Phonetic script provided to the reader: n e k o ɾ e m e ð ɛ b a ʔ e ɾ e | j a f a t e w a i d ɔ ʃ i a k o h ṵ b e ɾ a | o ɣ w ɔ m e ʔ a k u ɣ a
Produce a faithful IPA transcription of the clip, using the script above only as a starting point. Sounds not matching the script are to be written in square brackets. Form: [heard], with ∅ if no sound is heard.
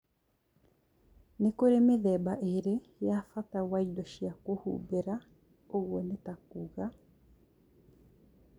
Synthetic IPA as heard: n e k o ɾ e m e ð ɛ b a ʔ e ɾ e | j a f a t [a] w a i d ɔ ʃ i a k o h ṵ b e ɾ a | o ɣ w ɔ [n] e [t] a k u ɣ a